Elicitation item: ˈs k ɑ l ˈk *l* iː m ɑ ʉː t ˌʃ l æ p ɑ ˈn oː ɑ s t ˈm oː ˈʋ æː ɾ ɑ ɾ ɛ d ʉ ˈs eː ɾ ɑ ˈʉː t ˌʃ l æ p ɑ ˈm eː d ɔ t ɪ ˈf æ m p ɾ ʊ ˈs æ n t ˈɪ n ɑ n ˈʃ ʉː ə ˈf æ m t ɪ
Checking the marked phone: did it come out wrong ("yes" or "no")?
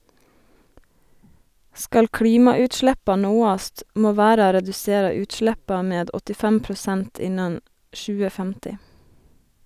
yes